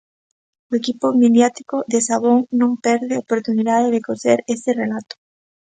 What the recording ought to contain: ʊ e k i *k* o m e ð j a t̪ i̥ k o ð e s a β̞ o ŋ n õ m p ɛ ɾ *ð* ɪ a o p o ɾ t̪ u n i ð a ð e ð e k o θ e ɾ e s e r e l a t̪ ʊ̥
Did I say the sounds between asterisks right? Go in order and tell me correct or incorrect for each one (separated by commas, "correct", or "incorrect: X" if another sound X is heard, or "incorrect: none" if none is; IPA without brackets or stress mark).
incorrect: p, correct